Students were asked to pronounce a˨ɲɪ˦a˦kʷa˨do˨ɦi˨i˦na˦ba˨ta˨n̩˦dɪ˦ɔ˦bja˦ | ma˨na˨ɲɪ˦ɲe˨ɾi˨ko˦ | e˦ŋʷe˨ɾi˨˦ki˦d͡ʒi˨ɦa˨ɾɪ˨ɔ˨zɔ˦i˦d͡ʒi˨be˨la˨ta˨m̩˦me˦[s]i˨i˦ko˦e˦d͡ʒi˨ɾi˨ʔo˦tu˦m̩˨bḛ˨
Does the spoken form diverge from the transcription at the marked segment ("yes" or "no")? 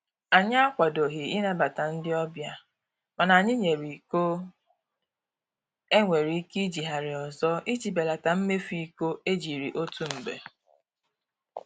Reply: yes